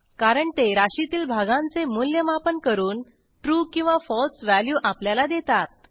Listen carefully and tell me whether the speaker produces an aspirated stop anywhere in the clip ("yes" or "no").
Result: no